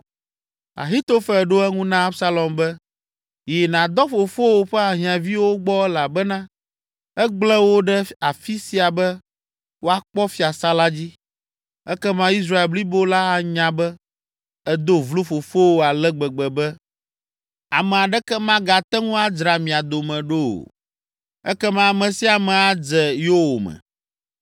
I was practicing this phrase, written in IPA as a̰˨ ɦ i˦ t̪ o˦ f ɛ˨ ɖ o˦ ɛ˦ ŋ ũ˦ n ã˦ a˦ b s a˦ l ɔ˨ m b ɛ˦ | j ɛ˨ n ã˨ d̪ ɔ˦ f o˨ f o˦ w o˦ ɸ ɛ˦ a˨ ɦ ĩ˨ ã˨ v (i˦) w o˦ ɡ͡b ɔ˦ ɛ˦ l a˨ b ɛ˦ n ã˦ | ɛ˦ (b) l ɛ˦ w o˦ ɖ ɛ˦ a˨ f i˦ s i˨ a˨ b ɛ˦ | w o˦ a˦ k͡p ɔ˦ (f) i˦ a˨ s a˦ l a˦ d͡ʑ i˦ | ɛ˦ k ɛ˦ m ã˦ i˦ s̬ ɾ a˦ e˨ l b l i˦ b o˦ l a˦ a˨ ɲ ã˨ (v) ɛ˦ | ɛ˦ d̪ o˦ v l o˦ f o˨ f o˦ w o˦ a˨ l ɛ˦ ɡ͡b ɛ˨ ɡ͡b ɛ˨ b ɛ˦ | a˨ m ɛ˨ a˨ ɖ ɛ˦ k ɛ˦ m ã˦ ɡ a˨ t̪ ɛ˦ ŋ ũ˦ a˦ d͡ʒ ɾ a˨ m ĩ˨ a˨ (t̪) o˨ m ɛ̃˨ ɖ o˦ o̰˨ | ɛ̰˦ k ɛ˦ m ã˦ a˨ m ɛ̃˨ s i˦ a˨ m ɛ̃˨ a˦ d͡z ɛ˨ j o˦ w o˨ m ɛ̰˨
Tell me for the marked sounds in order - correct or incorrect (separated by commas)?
correct, incorrect, correct, incorrect, incorrect